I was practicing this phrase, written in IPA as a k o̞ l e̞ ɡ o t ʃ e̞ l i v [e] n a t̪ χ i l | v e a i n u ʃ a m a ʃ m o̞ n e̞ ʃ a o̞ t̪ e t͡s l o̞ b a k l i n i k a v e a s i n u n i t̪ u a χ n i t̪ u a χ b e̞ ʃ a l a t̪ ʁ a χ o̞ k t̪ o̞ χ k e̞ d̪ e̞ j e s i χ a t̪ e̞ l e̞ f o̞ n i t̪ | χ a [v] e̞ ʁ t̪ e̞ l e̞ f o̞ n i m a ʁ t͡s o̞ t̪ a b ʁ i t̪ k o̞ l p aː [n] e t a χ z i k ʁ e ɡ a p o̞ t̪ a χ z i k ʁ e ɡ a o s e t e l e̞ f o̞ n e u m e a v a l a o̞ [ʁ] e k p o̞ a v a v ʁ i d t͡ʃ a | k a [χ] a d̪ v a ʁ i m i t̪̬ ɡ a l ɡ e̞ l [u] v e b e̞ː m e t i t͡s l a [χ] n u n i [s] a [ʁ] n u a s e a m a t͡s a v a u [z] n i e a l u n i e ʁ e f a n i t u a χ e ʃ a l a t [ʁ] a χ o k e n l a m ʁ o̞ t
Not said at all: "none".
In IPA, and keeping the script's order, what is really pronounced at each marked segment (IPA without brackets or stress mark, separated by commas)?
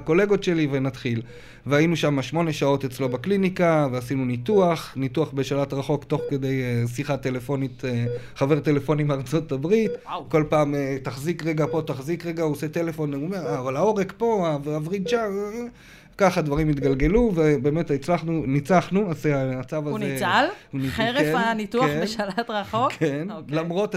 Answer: e, v, m, ʁ, χ, u, χ, t͡s, χ, z, ʁ